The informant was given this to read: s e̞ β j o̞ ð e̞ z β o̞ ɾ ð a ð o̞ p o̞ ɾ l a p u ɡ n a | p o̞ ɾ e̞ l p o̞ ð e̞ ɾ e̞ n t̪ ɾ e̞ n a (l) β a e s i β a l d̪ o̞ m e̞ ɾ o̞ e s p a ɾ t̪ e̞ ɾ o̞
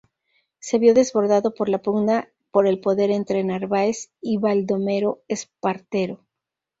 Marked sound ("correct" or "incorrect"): incorrect